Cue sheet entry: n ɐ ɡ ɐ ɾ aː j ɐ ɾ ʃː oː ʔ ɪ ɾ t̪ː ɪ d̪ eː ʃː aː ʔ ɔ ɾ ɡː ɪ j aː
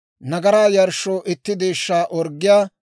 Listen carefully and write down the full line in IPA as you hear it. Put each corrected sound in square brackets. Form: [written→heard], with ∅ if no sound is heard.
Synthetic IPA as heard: n ɐ ɡ ɐ ɾ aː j ɐ ɾ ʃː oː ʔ ɪ [ɾ→∅] t̪ː ɪ d̪ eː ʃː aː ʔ ɔ ɾ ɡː ɪ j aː